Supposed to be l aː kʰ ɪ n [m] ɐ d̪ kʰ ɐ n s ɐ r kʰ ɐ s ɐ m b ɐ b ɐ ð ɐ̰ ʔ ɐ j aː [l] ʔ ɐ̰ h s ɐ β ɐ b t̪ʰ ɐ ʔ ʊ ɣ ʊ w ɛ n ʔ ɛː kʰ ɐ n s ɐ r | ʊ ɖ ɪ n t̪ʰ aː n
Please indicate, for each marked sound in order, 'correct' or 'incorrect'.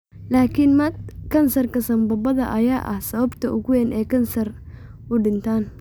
correct, incorrect: none

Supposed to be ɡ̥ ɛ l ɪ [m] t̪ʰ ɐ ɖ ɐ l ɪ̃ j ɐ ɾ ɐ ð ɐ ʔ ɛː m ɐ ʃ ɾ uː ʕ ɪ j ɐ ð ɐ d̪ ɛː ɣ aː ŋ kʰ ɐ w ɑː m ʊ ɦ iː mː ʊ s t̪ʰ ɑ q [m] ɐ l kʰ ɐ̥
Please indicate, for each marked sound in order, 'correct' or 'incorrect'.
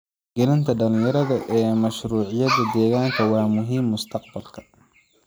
incorrect: n, incorrect: b

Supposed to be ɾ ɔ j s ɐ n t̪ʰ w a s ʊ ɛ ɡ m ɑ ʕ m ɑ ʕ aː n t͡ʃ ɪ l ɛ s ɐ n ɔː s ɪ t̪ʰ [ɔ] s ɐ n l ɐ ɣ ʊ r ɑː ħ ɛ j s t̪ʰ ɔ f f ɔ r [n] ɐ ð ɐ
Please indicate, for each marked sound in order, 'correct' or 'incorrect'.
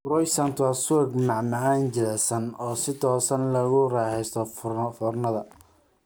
incorrect: ɔː, correct

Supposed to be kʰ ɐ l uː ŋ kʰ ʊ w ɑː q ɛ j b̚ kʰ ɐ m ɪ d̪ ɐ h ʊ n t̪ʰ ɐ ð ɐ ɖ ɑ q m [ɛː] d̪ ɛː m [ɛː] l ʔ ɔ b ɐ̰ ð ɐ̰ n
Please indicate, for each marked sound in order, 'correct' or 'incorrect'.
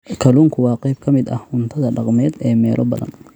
correct, correct

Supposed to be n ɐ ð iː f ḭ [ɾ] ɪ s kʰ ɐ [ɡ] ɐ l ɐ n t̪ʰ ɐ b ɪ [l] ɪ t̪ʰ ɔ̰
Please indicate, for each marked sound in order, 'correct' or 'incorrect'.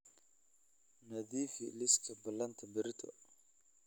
incorrect: l, incorrect: b, incorrect: ɾ

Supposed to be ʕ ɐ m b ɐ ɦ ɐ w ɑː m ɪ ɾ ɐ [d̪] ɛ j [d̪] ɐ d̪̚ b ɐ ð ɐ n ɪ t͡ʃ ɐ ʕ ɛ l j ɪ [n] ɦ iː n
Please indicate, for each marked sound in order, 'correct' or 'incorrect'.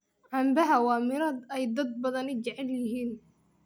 correct, correct, incorrect: none

